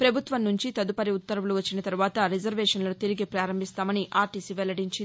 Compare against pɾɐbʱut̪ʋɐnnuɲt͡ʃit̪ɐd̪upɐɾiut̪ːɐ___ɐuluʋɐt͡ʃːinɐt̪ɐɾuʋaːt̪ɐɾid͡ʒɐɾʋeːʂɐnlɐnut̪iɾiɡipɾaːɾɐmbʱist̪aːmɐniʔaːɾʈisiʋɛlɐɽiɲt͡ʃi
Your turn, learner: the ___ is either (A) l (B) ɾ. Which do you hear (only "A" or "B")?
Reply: B